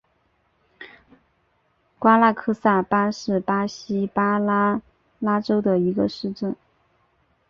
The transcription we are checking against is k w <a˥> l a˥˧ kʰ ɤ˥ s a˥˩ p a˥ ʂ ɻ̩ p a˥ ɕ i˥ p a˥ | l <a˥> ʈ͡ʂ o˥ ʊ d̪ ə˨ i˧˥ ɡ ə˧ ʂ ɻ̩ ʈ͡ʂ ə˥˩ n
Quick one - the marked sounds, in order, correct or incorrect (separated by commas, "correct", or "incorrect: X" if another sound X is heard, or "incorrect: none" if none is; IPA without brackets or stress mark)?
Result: correct, correct